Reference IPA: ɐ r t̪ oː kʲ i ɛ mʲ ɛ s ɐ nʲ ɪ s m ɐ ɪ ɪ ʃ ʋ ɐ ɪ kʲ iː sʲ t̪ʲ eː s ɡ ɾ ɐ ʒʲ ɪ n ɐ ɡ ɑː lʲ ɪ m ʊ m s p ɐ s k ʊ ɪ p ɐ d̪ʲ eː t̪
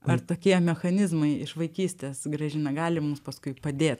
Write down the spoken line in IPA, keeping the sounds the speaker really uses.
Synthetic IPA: ɐ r t̪ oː kʲ i ɛ mʲ ɛ x ɐ nʲ ɪ z m ɐ ɪ ɪ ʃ ʋ ɐ ɪ kʲ iː sʲ t̪ʲ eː s ɡ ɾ ɐ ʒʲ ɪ n ɐ ɡ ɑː lʲ ɪ m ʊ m s p ɐ s k ʊ ɪ p ɐ d̪ʲ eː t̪